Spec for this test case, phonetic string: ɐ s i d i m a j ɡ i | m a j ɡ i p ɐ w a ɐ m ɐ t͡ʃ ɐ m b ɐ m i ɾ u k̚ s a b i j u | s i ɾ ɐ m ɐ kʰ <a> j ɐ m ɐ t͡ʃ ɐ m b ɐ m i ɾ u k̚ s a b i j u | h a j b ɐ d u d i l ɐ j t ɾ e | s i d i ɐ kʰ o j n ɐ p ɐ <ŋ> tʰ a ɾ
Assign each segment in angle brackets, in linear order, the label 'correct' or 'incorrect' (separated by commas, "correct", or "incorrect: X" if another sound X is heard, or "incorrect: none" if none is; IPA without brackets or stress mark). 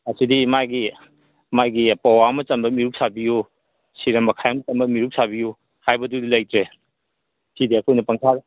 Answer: correct, correct